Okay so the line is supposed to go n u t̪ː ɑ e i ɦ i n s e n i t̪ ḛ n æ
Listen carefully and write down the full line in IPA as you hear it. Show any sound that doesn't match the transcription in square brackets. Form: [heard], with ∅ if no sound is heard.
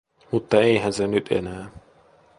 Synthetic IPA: [m] u t̪ː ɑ e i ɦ [æ] n s e n [y] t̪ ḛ n [æː]